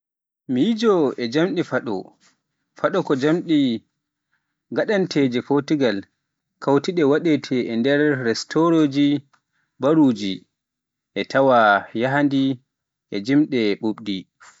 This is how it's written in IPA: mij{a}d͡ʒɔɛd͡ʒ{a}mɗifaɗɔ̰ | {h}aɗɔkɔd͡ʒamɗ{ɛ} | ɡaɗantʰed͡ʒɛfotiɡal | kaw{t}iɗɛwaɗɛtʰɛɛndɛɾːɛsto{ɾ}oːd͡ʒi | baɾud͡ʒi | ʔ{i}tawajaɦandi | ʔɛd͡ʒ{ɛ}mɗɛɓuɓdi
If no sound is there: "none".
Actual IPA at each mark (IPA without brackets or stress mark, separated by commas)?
i, a, f, i, t, ɾ, ɛ, i